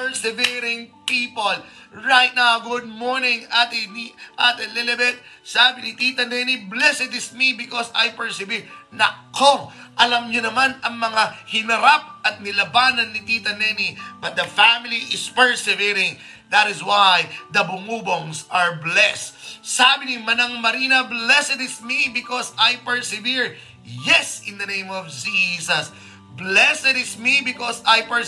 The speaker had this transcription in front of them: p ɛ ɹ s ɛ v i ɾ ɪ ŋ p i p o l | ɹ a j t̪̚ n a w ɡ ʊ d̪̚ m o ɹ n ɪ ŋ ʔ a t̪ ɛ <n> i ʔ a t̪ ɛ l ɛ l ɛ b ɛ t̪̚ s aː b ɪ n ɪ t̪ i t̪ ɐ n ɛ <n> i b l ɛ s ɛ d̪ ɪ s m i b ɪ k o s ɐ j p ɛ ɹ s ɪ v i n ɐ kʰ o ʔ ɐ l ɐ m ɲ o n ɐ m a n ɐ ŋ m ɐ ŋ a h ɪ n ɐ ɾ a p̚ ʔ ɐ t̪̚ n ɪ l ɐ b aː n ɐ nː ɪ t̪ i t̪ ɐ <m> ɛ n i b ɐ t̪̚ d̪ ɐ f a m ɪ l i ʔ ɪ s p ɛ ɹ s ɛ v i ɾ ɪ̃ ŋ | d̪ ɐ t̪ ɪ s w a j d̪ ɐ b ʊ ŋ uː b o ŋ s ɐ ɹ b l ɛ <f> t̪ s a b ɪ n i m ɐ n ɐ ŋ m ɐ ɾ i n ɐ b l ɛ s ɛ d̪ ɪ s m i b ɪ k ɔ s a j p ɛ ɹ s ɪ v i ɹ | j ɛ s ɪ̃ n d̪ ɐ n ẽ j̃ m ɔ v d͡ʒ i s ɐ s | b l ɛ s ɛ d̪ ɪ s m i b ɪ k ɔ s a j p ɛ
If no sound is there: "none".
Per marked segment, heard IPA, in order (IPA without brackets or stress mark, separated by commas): n, n, n, s